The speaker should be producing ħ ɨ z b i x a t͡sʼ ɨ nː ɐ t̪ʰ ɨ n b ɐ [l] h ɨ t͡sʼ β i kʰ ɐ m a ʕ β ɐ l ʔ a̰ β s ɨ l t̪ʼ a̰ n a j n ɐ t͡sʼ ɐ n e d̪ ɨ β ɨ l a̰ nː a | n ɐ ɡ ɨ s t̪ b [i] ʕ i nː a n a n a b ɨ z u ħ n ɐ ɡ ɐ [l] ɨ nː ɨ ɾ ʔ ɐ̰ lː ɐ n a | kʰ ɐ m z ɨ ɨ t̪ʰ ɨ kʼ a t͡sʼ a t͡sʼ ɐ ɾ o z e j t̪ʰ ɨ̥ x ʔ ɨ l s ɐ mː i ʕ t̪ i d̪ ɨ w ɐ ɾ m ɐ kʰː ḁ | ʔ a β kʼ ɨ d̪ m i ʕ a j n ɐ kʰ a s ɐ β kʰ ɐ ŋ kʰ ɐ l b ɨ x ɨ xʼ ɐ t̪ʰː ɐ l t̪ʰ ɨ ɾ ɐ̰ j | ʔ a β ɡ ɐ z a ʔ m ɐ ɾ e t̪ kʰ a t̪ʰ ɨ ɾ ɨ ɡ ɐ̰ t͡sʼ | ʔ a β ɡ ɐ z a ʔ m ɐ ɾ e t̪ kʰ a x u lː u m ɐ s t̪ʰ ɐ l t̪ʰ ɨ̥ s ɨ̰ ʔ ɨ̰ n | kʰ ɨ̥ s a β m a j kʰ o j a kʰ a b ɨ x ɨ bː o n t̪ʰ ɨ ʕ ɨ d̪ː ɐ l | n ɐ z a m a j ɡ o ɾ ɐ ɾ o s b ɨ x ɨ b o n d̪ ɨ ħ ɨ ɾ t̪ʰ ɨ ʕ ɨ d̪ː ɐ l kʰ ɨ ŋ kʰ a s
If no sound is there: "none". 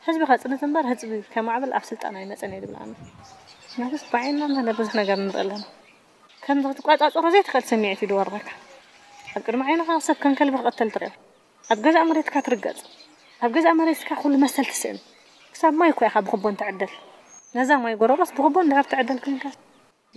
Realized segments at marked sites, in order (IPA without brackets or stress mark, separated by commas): ɾ, a, ɾ